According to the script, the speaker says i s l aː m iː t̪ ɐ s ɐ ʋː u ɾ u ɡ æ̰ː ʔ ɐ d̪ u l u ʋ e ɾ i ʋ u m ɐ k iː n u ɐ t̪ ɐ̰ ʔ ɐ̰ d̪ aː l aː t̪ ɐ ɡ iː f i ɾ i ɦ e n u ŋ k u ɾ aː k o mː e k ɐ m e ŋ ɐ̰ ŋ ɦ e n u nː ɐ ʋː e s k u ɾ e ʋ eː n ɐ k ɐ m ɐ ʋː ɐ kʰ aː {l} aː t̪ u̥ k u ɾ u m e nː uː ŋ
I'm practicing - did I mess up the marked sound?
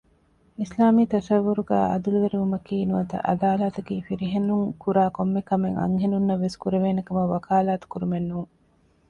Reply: no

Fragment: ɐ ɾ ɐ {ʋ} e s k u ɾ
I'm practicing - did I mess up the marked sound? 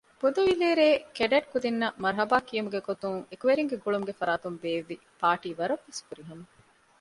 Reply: yes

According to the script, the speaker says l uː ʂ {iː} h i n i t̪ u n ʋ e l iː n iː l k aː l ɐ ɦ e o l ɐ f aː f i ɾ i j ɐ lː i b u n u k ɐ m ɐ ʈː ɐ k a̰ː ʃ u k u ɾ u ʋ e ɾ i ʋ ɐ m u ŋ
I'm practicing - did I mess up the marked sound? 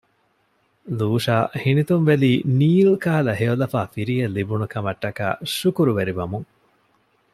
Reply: yes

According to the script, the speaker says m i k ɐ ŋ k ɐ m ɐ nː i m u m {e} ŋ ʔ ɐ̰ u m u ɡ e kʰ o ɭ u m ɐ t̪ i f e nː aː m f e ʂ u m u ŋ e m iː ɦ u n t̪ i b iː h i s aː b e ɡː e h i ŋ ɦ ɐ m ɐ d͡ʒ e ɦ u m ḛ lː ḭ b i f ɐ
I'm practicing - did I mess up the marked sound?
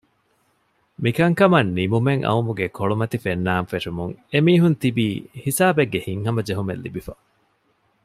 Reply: no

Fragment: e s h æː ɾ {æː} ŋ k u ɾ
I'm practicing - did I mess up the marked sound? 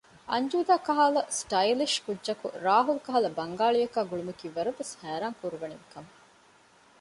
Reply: yes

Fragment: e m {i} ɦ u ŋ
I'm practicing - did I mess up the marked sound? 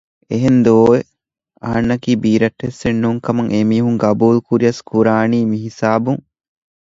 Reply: yes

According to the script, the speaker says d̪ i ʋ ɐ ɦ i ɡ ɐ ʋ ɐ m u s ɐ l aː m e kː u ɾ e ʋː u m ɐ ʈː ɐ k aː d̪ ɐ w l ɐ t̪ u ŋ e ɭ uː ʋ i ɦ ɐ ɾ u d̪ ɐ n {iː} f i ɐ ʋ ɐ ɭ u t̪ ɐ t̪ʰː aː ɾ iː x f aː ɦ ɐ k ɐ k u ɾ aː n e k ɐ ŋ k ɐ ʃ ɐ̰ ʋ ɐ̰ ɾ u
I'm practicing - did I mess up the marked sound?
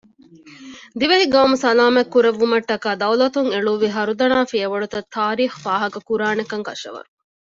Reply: yes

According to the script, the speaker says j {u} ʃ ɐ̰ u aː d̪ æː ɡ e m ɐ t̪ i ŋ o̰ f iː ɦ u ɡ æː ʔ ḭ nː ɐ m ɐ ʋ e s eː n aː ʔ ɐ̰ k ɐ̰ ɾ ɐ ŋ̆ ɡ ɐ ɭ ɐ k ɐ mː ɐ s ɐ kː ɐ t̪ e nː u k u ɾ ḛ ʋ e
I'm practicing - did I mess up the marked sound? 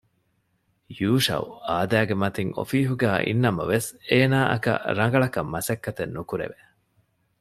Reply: yes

